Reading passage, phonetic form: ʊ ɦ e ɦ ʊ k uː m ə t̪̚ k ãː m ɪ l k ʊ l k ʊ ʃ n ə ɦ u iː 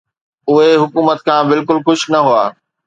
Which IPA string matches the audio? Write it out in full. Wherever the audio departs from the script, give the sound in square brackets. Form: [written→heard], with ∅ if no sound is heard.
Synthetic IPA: ʊ ɦ e ɦ ʊ k uː m ə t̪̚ [k→kʰ] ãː [m→b] ɪ l k ʊ l [k→x] ʊ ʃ n [ə→ɐ] ɦ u [iː→aː]